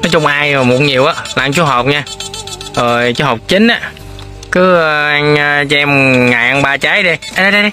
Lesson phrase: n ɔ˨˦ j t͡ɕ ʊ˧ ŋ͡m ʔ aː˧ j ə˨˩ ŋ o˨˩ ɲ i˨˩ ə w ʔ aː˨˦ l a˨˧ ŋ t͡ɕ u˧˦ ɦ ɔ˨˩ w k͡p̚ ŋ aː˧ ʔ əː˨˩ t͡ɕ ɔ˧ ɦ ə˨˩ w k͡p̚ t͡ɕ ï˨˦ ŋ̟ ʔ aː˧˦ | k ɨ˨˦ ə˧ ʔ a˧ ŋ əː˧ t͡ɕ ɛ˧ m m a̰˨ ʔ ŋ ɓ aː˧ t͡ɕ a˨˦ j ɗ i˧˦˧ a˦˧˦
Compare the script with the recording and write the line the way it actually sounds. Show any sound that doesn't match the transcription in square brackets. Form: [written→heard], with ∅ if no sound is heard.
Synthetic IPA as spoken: n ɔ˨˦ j t͡ɕ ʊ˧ ŋ͡m ʔ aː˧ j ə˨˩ [ŋ→m] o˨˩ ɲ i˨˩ ə w ʔ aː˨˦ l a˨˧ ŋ t͡ɕ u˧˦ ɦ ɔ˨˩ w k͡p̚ [ŋ→ɲ] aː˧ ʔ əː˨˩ t͡ɕ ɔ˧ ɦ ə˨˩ w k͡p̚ t͡ɕ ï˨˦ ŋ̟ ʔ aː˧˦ | k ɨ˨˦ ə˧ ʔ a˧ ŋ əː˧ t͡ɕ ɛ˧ m [m→ŋ] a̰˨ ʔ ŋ ɓ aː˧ t͡ɕ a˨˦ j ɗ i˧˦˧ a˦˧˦

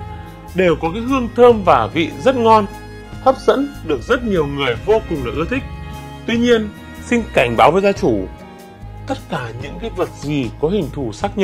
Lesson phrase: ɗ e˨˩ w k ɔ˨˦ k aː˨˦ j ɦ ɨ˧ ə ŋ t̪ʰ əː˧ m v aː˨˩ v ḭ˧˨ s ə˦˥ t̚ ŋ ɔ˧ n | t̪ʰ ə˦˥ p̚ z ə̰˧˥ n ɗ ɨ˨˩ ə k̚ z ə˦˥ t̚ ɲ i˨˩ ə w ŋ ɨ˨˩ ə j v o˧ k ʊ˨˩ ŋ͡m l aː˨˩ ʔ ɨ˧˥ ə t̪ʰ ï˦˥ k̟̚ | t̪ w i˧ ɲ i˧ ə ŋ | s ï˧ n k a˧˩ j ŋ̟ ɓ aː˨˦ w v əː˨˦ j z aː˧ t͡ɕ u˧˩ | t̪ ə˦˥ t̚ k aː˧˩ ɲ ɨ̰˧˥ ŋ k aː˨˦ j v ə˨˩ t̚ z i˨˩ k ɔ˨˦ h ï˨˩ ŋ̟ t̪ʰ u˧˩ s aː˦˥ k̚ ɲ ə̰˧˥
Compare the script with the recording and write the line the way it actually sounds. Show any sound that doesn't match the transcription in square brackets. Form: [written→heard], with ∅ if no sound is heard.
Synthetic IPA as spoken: ɗ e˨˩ w k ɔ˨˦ k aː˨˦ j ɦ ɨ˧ ə ŋ t̪ʰ əː˧ m v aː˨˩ v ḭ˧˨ [s→z] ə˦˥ t̚ ŋ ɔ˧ n | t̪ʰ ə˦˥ p̚ z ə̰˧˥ n ɗ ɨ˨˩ ə k̚ z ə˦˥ t̚ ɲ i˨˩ ə w ŋ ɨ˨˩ ə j v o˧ k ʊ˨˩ ŋ͡m l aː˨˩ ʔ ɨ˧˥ ə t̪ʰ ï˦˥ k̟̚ | t̪ w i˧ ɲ i˧ ə [ŋ→n] | s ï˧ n k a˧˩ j ŋ̟ ɓ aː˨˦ w v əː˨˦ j z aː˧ t͡ɕ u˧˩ | t̪ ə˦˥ t̚ k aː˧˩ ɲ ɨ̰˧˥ ŋ k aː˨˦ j v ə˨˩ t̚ z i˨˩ k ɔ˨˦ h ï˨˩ ŋ̟ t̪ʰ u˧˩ s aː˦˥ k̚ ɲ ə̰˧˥

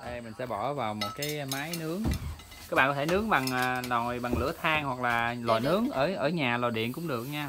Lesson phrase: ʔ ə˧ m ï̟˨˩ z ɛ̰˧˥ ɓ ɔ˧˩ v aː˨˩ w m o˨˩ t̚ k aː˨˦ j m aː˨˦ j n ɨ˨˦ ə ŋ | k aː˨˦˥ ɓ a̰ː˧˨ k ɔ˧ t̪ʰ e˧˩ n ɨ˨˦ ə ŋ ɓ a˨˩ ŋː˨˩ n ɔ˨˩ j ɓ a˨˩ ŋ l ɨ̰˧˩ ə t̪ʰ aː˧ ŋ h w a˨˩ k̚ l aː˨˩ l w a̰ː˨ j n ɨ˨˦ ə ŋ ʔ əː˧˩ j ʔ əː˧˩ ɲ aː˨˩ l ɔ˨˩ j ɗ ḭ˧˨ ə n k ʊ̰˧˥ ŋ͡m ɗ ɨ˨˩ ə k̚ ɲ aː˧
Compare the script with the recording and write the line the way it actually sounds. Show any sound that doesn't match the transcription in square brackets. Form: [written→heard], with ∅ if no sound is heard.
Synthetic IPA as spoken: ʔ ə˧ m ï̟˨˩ [z→s] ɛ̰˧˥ ɓ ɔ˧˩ v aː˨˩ w m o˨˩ t̚ k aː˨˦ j m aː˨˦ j n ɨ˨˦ ə ŋ | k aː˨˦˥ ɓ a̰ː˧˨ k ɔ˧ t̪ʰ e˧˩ n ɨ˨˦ ə ŋ ɓ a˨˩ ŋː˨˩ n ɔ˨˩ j ɓ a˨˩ ŋ l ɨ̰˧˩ ə t̪ʰ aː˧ ŋ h w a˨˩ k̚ l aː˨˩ l w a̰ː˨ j n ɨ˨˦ ə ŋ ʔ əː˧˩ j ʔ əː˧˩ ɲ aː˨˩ l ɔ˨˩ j ɗ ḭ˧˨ ə n k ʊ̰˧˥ ŋ͡m ɗ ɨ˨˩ ə k̚ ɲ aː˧

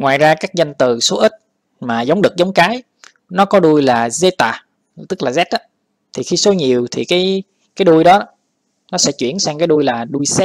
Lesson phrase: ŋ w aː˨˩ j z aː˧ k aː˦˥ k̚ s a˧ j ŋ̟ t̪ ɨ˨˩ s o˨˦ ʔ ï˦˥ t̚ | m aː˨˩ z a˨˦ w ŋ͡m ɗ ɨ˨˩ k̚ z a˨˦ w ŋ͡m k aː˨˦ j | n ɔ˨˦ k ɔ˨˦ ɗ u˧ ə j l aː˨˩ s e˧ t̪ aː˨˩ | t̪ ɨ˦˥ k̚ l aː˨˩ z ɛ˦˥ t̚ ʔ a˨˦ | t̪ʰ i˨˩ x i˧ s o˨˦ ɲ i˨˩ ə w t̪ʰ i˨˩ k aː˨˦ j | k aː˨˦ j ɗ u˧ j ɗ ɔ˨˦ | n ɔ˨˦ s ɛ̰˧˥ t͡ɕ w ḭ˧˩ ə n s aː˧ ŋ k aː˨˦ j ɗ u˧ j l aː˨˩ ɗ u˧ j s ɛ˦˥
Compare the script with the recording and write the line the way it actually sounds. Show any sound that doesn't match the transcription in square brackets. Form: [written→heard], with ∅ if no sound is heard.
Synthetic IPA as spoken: ŋ w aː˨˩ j z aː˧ k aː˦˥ k̚ [s→z] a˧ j ŋ̟ t̪ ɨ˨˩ s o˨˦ ʔ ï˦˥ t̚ | m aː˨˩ z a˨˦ w ŋ͡m ɗ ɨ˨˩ k̚ z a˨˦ w ŋ͡m k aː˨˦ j | n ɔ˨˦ k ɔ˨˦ ɗ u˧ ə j l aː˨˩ [s→z] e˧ t̪ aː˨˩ | t̪ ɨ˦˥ k̚ l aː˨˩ z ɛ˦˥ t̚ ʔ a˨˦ | t̪ʰ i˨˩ x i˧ s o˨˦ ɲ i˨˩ ə w t̪ʰ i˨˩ k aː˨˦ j | k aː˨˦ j ɗ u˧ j ɗ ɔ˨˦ | n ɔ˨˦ s ɛ̰˧˥ t͡ɕ w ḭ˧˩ ə n s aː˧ ŋ k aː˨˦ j ɗ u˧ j l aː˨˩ ɗ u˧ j s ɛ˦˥

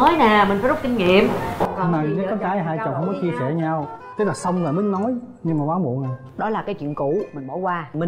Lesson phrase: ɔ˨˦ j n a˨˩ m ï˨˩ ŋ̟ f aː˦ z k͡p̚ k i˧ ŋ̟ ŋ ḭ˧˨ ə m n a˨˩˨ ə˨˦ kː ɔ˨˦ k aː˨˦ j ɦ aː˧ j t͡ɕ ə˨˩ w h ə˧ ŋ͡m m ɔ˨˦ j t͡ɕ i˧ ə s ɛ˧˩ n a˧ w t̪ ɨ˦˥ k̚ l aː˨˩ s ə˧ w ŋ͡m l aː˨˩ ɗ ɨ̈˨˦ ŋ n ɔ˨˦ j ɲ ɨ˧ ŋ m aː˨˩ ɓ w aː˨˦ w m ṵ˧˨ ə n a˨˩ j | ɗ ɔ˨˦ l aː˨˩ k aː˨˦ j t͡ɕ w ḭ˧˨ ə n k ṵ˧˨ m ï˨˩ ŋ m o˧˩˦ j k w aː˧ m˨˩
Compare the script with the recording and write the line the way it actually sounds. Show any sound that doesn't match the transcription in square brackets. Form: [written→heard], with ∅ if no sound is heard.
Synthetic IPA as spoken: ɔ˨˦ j n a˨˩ m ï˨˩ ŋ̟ f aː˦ z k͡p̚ k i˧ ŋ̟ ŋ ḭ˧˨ ə m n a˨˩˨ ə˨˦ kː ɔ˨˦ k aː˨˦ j ɦ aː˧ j t͡ɕ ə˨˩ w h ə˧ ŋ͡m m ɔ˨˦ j t͡ɕ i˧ ə s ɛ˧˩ [n→ɲ] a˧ w t̪ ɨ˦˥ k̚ l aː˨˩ s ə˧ w ŋ͡m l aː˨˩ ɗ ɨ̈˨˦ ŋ n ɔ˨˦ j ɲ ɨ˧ ŋ m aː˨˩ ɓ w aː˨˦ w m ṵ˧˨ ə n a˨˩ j | ɗ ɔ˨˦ l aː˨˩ k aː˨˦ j t͡ɕ w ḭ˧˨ ə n k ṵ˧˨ m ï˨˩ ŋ m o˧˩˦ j k w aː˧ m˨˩

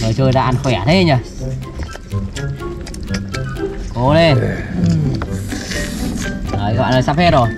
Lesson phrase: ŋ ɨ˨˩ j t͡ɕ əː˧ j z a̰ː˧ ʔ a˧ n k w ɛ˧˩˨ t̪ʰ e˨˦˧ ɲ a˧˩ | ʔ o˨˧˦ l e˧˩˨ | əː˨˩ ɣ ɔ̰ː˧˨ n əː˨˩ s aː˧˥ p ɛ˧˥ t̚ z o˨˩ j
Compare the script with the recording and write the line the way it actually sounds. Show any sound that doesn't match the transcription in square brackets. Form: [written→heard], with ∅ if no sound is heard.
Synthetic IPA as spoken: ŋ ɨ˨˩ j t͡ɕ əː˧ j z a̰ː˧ ʔ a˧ n [k→x] w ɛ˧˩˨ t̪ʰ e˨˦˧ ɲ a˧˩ | [ʔ→k] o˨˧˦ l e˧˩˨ | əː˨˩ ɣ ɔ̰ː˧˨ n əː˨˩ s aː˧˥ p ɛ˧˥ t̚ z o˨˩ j

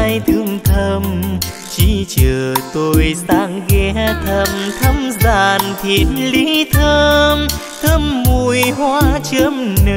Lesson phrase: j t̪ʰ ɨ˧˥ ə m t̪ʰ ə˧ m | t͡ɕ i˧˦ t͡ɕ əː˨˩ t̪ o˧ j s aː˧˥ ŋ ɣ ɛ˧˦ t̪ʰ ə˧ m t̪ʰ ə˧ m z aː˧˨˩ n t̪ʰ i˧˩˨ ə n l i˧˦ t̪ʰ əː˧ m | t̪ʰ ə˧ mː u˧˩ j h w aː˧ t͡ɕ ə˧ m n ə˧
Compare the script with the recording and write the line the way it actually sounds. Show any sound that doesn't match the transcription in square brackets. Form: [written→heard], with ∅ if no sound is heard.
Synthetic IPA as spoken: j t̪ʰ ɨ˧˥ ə [m→ŋ] t̪ʰ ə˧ m | t͡ɕ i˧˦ t͡ɕ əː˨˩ t̪ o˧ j s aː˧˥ ŋ ɣ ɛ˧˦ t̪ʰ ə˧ m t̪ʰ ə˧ m z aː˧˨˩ n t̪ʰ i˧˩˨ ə n l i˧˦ t̪ʰ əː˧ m | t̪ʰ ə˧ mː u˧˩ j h w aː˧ t͡ɕ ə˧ m n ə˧

